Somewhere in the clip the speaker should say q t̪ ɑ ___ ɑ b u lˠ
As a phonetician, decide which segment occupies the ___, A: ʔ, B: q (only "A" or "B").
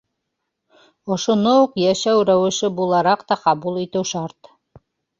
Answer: B